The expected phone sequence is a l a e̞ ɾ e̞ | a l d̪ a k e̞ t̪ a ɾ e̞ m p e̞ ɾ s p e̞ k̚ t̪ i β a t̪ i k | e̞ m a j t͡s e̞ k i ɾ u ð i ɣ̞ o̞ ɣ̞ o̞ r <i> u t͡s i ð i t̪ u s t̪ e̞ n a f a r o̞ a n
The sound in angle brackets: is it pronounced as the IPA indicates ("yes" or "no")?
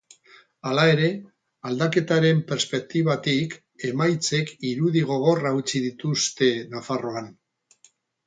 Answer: no